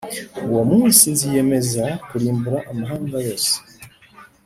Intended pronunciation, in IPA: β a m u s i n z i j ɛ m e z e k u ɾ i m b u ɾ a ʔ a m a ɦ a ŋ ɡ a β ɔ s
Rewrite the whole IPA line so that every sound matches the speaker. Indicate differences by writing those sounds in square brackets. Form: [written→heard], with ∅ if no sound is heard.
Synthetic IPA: [β→w] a m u s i n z i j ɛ m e z [e→a] k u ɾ i m b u ɾ a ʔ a m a ɦ a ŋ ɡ a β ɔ s